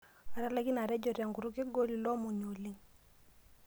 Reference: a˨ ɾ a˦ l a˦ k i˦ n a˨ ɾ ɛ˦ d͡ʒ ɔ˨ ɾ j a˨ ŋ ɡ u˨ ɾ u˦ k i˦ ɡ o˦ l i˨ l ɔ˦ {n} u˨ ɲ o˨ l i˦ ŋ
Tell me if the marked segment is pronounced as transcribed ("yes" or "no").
no